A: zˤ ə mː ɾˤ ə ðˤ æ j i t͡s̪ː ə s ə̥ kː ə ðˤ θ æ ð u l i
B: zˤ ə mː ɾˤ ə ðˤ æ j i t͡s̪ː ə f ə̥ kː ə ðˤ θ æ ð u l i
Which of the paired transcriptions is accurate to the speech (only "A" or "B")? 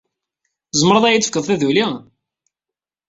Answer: B